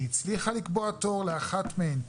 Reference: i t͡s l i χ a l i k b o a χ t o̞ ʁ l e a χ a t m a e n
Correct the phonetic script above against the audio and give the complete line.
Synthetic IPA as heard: i t͡s l i χ a l i k b o a t o̞ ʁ l e a χ a t m e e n